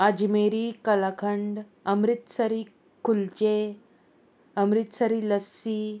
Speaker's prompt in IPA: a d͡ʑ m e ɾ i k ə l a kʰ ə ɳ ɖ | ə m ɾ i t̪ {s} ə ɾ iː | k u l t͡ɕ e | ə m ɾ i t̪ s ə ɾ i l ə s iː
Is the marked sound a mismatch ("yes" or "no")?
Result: no